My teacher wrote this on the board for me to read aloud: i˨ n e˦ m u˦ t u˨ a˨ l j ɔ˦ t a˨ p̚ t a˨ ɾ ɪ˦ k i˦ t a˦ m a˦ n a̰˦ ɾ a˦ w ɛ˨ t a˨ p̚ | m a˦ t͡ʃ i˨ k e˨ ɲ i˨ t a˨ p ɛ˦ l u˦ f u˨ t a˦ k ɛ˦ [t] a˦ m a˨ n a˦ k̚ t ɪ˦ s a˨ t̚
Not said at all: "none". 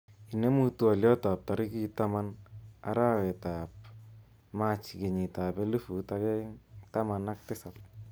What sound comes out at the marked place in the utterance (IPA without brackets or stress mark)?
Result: t